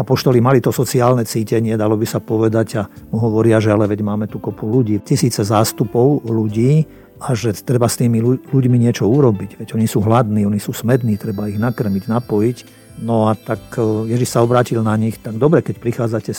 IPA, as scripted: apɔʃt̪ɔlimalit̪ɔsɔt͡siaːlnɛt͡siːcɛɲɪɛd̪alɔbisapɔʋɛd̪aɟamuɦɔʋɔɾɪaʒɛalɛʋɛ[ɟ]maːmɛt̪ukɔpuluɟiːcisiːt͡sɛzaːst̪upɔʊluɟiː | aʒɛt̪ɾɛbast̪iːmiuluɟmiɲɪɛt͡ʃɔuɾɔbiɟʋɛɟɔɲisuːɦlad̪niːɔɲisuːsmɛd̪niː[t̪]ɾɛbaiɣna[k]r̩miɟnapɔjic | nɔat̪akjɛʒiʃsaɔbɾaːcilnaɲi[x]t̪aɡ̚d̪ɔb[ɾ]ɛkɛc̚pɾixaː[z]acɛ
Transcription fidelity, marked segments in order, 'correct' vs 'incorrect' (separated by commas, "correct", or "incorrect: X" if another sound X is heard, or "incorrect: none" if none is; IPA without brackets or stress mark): correct, correct, correct, correct, correct, incorrect: d͡z